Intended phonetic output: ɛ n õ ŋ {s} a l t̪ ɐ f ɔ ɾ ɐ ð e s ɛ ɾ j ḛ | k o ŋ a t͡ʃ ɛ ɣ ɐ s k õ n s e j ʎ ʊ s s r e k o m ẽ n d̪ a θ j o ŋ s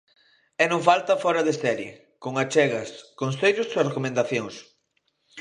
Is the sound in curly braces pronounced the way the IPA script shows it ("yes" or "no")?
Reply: no